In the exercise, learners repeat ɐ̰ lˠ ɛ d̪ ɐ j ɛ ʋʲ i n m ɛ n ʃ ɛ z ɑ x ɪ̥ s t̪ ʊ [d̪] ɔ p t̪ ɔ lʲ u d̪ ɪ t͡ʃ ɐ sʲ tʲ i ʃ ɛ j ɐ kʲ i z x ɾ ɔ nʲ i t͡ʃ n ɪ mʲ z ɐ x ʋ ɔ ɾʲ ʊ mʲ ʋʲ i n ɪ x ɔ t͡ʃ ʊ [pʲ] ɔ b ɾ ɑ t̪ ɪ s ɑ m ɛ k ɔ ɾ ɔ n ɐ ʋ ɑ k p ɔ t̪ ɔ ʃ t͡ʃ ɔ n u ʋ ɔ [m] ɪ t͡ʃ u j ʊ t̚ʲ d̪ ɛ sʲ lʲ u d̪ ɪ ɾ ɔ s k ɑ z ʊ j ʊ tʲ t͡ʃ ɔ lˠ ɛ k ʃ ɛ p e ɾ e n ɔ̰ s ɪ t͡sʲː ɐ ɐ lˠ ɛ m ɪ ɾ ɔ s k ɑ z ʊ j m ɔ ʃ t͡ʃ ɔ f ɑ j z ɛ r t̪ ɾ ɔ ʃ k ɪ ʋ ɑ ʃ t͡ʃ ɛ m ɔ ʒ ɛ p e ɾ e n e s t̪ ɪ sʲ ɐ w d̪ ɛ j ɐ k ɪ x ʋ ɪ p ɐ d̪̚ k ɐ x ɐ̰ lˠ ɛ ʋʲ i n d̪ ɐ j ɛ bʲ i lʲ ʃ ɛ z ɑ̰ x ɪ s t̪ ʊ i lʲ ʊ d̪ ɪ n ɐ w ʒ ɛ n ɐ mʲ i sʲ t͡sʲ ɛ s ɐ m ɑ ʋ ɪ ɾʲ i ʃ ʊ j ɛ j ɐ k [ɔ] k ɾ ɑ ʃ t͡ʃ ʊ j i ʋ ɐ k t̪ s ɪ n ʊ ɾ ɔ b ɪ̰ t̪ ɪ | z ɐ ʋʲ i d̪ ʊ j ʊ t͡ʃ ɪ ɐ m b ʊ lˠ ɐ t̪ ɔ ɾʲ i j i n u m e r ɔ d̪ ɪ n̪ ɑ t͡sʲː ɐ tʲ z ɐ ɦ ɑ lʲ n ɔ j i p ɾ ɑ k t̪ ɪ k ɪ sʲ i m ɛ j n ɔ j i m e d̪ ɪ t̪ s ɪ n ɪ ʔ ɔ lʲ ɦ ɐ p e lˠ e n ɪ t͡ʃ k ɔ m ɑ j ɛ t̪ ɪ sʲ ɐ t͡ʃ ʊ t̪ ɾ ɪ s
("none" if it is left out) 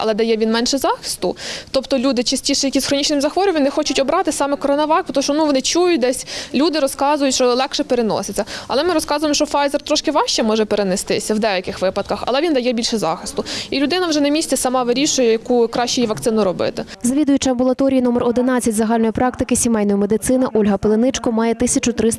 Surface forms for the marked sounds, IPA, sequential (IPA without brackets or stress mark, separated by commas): t̪, tʲ, n, u